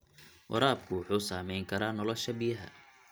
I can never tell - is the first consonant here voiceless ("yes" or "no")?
no